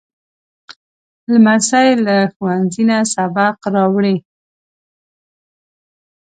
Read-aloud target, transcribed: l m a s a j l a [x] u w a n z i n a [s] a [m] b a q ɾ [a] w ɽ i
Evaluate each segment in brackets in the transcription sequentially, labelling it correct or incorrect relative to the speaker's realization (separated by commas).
correct, correct, incorrect, incorrect